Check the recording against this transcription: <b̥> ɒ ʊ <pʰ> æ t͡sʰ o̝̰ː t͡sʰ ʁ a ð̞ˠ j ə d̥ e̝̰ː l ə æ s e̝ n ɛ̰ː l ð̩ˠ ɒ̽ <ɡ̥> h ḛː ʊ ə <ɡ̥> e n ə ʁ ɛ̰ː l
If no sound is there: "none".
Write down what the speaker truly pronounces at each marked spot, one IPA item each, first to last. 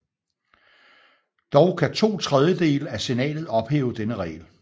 d̥, kʰ, b̥, d̥

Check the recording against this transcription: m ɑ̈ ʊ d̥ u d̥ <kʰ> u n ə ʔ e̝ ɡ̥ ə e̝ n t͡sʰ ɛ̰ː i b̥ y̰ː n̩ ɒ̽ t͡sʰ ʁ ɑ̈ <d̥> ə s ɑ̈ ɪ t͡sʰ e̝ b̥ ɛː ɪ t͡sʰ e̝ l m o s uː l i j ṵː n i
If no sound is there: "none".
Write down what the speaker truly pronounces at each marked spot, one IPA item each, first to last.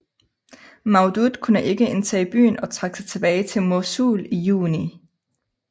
kʰ, ɡ̥

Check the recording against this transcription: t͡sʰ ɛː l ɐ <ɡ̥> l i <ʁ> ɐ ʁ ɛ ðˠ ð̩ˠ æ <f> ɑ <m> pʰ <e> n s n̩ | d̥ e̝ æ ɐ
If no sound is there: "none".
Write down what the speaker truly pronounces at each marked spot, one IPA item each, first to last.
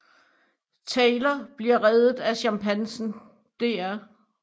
b̥, none, ɕ, m, æ

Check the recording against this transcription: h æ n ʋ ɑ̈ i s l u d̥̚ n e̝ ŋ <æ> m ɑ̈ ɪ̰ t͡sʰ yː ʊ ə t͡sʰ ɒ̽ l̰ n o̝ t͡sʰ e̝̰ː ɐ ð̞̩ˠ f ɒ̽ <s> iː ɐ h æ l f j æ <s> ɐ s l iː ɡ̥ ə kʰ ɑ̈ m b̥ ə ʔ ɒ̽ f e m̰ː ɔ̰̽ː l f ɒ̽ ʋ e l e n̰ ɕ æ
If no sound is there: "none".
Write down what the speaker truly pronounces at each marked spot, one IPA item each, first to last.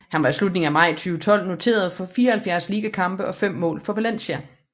æ, f, none

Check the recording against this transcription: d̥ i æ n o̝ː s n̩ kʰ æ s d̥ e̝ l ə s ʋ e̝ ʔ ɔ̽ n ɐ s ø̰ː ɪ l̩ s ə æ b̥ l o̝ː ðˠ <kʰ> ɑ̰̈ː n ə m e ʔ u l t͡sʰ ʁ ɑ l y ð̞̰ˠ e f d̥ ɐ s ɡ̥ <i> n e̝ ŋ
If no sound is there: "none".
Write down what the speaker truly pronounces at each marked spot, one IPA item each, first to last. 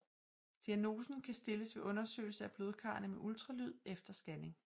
kʰ, æ

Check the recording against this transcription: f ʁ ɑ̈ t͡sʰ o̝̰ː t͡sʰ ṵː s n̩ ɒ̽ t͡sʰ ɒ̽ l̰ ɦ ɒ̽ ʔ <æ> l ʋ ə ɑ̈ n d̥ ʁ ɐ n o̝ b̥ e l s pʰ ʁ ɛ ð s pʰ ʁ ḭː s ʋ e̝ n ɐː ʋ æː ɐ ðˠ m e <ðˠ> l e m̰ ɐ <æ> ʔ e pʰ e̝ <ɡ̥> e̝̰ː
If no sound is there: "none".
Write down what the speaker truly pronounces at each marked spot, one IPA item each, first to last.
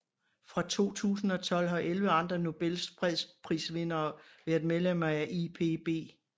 e, ðˠ, æ, b̥

